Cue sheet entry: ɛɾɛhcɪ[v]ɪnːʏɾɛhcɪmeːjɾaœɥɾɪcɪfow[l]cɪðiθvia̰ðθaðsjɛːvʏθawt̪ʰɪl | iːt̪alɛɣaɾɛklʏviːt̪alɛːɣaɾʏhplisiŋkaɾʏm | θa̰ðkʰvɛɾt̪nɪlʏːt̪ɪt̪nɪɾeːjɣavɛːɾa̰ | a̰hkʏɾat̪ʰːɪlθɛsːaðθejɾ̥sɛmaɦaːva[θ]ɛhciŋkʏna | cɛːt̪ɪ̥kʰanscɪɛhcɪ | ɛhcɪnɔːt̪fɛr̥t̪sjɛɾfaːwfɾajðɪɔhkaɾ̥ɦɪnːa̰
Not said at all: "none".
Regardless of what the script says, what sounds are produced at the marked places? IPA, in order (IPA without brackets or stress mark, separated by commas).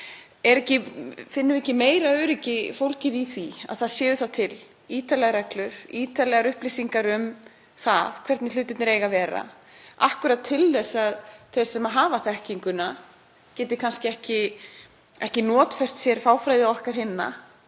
f, l, θ